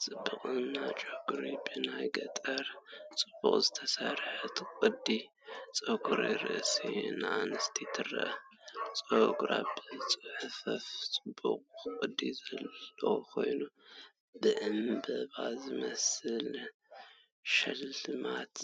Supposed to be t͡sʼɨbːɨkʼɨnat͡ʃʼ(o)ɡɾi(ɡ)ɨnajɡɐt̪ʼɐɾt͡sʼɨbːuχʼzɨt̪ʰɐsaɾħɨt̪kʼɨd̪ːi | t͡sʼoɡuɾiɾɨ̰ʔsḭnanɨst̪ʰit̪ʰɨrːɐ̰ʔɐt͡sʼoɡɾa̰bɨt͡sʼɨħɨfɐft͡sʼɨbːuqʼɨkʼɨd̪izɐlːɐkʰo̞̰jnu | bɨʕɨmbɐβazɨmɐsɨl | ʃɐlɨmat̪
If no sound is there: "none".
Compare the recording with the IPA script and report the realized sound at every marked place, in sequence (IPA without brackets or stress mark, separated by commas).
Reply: o, b